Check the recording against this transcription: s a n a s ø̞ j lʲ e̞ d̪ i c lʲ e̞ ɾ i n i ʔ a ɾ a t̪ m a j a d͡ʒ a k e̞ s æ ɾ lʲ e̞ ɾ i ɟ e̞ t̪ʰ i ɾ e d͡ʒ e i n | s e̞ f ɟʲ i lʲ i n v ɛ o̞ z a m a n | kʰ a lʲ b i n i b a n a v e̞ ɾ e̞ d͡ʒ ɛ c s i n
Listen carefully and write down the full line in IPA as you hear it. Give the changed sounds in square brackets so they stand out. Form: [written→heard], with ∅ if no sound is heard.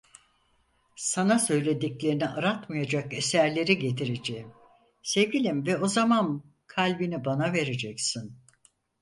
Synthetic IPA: s a n a s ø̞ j lʲ e̞ d̪ i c lʲ e̞ ɾ i n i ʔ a ɾ a t̪ m a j a d͡ʒ a k e̞ s æ ɾ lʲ e̞ ɾ i ɟ e̞ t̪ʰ i ɾ e d͡ʒ e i [n→m] | s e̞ [f→v] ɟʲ i lʲ i [n→m] v ɛ o̞ z a m a n | kʰ a lʲ b i n i b a n a v e̞ ɾ e̞ d͡ʒ ɛ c s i n

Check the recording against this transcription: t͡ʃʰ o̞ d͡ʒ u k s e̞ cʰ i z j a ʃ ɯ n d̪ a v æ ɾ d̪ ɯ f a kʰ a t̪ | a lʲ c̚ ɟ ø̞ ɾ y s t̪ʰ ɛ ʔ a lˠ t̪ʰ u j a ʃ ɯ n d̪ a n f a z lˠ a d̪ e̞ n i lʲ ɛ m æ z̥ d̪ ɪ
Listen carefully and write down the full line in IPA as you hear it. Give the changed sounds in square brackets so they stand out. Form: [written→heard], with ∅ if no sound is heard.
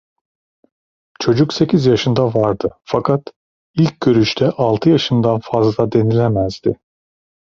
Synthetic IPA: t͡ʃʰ o̞ d͡ʒ u k s e̞ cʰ i z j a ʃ ɯ n d̪ a v [æ→a] ɾ d̪ ɯ f a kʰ a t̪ | [a→i] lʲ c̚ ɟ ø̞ ɾ y [s→ʃ] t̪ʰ ɛ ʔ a lˠ t̪ʰ [u→ɯ] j a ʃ ɯ n d̪ a n f a z lˠ a d̪ e̞ n i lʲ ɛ m æ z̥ d̪ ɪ

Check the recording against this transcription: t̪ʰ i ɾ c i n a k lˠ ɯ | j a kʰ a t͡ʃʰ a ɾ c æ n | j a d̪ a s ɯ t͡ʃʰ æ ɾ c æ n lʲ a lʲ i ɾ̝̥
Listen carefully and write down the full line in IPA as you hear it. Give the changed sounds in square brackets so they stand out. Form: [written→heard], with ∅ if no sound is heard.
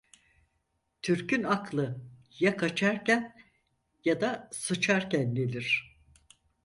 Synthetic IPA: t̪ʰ [i→y] ɾ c [i→y] n a k lˠ ɯ | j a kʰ a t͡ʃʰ a ɾ c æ n | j a d̪ a s ɯ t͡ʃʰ [æ→a] ɾ c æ n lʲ [a→e] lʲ i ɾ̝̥

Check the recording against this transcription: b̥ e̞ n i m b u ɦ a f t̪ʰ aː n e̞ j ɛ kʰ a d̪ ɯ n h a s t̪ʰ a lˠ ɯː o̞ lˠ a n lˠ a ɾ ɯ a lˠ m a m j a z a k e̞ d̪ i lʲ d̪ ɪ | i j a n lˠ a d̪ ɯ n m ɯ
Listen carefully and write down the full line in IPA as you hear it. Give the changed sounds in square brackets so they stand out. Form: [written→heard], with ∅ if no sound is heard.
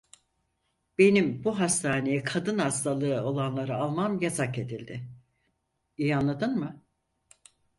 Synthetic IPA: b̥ e̞ n i m b u ɦ a [f→s] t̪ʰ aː n e̞ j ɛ kʰ a d̪ ɯ n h a s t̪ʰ a lˠ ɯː o̞ lˠ a n lˠ a ɾ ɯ a lˠ m a m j a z a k e̞ d̪ i lʲ d̪ ɪ | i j a n lˠ a d̪ ɯ n m ɯ

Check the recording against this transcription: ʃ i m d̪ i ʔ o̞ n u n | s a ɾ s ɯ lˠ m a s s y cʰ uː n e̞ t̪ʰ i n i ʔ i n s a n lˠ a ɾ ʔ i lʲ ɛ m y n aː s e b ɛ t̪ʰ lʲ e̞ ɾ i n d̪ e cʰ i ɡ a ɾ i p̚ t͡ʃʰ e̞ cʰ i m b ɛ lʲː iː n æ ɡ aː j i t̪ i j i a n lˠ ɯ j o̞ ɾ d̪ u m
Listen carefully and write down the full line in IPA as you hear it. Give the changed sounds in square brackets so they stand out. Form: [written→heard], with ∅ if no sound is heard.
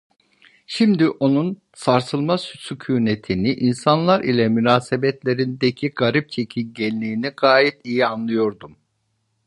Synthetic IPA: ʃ i m d̪ i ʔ o̞ n u n | s a ɾ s ɯ lˠ m a s s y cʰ uː n e̞ t̪ʰ i n i ʔ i n s a n lˠ a ɾ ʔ i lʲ ɛ m y n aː s e b ɛ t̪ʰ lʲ e̞ ɾ i n d̪ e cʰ i ɡ a ɾ i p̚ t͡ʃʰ e̞ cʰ i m [b→ɟ] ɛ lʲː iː n [æ→i] ɡ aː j i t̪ i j i a n lˠ ɯ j o̞ ɾ d̪ u m

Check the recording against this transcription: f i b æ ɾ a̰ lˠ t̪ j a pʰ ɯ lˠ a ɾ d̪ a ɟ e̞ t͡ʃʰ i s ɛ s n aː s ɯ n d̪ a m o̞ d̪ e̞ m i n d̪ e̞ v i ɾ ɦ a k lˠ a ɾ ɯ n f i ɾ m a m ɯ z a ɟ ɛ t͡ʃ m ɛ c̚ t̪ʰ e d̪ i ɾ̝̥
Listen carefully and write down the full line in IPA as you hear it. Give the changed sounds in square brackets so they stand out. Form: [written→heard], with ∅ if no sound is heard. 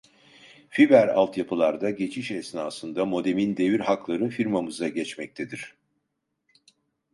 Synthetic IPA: f i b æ ɾ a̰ lˠ t̪ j a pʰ ɯ lˠ a ɾ d̪ a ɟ e̞ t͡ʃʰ i [s→ʃ] ɛ s n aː s ɯ n d̪ a m o̞ d̪ e̞ m i n d̪ e̞ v i ɾ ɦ a k lˠ a ɾ ɯ n f i ɾ m a m ɯ z a ɟ ɛ t͡ʃ m ɛ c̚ t̪ʰ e d̪ i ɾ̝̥

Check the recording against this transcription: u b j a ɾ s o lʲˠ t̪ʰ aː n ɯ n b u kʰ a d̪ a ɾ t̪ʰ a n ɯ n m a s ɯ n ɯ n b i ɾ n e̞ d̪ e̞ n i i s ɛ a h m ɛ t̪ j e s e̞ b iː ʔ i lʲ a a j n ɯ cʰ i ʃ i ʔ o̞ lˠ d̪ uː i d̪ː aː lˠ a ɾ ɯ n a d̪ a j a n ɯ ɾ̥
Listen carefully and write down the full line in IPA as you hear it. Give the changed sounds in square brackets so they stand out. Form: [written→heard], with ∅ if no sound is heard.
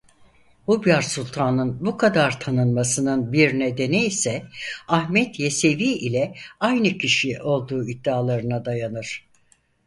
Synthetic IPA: u b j a ɾ s [o→u] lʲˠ t̪ʰ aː n ɯ n b u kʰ a d̪ a ɾ t̪ʰ a n ɯ n m a s ɯ n ɯ n b i ɾ n e̞ d̪ e̞ n i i s ɛ a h m ɛ t̪ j e s e̞ [b→v] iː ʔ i lʲ [a→ɛ] a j n ɯ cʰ i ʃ i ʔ o̞ lˠ d̪ uː i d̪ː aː lˠ a ɾ ɯ n a d̪ a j a n ɯ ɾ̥

